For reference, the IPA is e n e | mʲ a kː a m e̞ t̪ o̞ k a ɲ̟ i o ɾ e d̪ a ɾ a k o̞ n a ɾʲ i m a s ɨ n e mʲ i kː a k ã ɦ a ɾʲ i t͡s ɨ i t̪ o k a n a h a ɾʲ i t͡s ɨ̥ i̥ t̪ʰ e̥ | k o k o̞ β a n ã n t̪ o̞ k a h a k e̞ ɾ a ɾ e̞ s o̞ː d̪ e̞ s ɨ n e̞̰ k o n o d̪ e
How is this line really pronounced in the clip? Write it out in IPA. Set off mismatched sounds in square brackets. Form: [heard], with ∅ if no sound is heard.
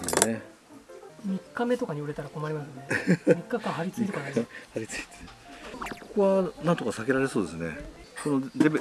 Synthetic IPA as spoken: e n e | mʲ [i] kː a m e̞ t̪ o̞ k a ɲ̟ i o ɾ e [t̪] a ɾ a k o̞ [m] a ɾʲ i m a s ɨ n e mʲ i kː a k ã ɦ a ɾʲ i t͡s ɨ i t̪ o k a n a h a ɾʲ i t͡s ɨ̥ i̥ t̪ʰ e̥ | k o k o̞ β a n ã n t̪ o̞ k a [s] a k e̞ ɾ a ɾ e̞ s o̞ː d̪ e̞ s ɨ n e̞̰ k o n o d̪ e